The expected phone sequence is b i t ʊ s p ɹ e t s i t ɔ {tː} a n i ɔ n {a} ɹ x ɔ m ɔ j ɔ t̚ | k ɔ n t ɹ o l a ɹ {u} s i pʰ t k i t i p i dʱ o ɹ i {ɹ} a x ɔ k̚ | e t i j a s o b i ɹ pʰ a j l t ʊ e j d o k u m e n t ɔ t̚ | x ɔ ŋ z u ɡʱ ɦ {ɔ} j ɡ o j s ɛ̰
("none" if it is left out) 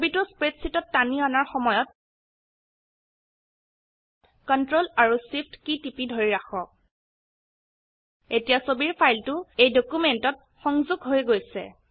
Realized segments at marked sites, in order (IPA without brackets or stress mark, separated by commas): tː, a, u, ɹ, o